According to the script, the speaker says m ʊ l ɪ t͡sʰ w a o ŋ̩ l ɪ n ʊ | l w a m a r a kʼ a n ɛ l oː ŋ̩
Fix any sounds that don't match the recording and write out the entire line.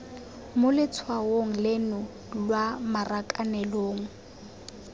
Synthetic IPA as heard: m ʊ l ɪ t͡sʰ w a o ŋ̩ l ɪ n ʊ | l w a m a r a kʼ a n ɛ l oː ŋ̩